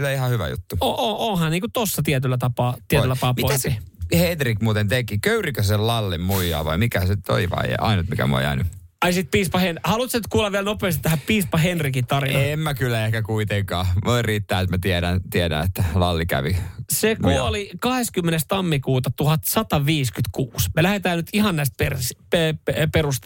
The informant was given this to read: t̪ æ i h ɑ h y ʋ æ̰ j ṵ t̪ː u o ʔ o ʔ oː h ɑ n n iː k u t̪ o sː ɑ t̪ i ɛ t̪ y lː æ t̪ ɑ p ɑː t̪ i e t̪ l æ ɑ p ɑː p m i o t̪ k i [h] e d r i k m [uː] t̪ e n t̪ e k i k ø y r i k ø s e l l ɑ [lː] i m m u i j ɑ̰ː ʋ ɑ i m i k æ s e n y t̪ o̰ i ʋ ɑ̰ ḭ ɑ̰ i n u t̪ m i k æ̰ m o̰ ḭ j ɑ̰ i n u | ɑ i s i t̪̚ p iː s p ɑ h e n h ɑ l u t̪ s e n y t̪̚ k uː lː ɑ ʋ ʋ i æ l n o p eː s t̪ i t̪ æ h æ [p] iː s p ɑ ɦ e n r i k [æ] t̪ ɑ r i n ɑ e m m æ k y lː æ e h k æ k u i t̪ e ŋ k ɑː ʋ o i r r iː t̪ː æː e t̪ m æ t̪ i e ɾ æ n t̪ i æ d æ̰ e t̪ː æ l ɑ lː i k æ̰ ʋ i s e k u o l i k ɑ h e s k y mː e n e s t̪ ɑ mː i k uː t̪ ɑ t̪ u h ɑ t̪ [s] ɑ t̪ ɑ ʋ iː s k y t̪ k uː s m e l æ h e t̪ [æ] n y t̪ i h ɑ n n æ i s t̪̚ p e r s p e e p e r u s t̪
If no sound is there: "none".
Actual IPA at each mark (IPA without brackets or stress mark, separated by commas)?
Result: h, uː, lː, p, i, s, æː